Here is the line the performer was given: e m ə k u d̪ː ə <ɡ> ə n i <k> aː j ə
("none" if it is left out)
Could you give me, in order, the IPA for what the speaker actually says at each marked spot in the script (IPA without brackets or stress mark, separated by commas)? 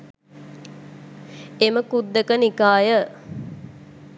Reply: k, k